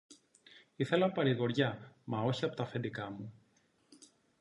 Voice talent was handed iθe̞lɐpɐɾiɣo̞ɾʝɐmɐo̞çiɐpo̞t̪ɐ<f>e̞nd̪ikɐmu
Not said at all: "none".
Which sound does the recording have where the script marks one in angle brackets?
f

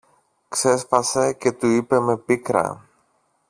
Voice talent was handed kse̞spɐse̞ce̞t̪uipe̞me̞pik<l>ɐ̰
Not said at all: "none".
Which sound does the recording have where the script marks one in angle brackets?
ɾ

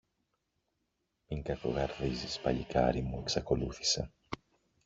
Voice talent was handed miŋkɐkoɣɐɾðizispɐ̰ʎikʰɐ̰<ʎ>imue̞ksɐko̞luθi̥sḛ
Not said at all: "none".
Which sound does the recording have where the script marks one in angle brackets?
ɾ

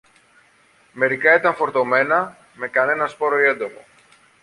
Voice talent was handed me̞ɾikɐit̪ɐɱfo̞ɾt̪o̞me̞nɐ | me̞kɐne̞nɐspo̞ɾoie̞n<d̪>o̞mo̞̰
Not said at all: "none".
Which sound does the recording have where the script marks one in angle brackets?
d̪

